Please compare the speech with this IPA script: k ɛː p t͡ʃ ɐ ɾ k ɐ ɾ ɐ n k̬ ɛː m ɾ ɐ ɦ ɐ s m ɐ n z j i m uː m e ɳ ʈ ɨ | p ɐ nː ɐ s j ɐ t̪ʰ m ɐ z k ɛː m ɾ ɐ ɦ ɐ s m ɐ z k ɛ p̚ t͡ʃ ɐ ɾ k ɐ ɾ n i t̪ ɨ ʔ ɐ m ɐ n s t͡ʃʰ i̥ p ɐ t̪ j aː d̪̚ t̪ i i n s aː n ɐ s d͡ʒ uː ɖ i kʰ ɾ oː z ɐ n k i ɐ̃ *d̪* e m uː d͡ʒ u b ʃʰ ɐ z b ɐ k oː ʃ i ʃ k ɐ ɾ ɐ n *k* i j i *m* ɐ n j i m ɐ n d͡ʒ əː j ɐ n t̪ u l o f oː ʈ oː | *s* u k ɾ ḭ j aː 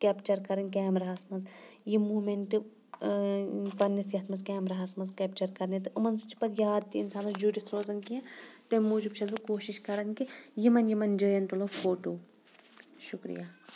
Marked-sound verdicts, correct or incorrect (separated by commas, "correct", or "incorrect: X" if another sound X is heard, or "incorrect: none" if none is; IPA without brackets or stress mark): incorrect: t̪, correct, correct, incorrect: ʃ